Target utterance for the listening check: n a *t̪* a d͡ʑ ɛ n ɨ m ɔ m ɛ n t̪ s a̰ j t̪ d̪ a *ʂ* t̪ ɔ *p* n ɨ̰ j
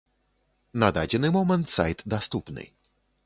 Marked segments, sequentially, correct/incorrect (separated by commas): incorrect, incorrect, correct